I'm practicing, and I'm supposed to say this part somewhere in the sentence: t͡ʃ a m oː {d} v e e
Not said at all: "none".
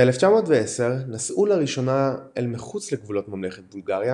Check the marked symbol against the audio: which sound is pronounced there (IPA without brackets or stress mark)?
t